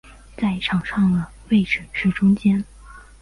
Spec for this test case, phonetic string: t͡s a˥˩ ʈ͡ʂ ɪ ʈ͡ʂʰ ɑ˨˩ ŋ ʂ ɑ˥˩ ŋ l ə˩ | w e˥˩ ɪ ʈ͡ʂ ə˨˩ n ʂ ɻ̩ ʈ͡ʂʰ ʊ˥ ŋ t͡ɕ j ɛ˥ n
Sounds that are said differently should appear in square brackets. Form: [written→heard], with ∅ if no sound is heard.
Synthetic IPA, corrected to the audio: t͡s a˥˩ [ʈ͡ʂ→∅] ɪ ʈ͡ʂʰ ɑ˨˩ ŋ ʂ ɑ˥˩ ŋ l ə˩ | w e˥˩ ɪ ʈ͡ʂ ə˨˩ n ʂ ɻ̩ [ʈ͡ʂʰ→ʈ͡ʂ] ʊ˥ ŋ t͡ɕ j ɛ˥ n